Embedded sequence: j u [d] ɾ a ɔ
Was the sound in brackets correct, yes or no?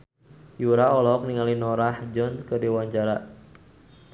no